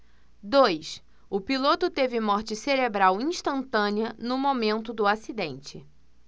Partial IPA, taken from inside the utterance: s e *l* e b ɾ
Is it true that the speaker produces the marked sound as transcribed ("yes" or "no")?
no